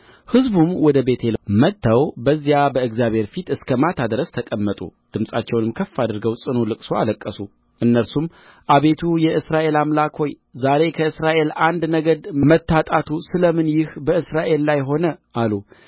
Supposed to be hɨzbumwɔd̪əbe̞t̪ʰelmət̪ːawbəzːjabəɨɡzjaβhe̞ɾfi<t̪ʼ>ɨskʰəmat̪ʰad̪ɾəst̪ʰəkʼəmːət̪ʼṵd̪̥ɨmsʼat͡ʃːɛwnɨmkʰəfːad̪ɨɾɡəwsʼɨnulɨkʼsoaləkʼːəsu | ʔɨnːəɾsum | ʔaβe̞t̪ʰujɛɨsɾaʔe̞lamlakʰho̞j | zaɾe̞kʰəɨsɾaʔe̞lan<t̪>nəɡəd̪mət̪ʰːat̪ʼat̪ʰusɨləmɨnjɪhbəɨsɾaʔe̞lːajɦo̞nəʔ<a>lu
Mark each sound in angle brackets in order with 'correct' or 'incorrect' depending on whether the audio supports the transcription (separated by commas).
incorrect, incorrect, correct